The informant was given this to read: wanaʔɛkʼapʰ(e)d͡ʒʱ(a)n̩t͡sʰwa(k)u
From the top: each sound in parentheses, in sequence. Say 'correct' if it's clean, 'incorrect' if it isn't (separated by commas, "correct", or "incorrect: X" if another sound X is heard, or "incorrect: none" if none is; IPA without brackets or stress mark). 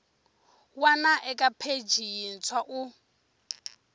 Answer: correct, incorrect: i, incorrect: ʔ